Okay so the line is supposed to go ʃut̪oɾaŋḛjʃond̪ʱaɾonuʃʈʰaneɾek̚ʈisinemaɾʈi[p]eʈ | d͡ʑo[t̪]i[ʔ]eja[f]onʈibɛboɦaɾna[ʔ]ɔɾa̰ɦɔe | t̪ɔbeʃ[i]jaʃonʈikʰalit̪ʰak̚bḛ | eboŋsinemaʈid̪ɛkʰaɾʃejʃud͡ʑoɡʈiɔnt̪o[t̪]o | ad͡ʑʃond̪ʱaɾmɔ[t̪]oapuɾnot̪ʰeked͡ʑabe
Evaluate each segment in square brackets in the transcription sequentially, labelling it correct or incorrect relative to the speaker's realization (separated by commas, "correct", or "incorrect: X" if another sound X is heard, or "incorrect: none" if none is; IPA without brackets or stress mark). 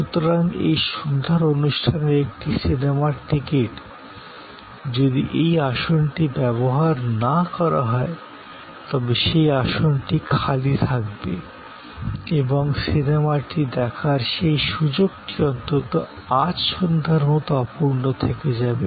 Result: incorrect: k, incorrect: d̪, correct, incorrect: ʃ, incorrect: k, incorrect: e, correct, correct